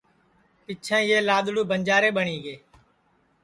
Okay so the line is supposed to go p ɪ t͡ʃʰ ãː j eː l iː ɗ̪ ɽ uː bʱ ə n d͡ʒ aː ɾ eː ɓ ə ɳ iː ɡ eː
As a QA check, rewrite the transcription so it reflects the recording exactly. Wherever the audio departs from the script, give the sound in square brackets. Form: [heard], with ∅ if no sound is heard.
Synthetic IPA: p ɪ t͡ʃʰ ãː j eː l [aː] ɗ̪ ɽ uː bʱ ə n d͡ʒ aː ɾ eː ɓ ə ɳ iː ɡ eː